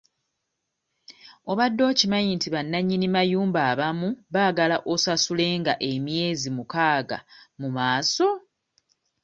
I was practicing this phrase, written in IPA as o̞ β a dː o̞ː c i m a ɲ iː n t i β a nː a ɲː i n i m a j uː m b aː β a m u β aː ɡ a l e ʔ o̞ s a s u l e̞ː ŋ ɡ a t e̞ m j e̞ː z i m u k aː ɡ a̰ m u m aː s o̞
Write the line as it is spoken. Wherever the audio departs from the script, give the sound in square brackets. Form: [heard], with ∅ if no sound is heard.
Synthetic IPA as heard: o̞ β a dː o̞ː c i m a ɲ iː n t i β a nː a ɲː i n i m a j uː m b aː β a m u β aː ɡ a l [a] ʔ o̞ s a s u l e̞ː ŋ ɡ a [ʔ] e̞ m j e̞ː z i m u k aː ɡ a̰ m u m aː s o̞

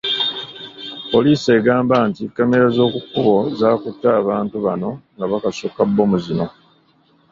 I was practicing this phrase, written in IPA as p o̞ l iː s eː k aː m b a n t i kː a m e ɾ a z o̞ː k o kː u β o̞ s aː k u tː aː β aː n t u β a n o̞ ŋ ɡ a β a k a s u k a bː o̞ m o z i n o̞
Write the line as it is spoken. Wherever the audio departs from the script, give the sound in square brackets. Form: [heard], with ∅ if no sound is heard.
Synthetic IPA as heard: p o̞ l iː s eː [ɡ] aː m b a n t i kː a m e ɾ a z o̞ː k [u] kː u β o̞ [z] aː k u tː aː β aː n t u β a n o̞ ŋ ɡ a β a k a s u k a bː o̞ m [u] z i n o̞

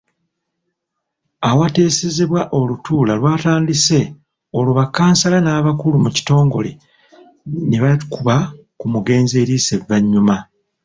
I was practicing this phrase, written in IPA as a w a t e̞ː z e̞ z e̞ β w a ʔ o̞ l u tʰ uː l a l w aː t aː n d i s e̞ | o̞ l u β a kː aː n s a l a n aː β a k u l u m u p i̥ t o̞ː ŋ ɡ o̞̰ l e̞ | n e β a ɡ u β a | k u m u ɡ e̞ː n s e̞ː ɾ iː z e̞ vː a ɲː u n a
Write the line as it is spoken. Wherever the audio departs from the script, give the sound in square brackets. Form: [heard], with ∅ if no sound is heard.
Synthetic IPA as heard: a w a t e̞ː [s] e̞ z e̞ β w a ʔ o̞ l u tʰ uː l a l w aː t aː n d i s e̞ | o̞ l u β a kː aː n s a l a n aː β a k u l u m u [c] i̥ t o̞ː ŋ ɡ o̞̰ l e̞ | n e β a [k] u β a | k u m u ɡ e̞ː n [z] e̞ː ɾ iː [s] e̞ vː a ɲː u [m] a

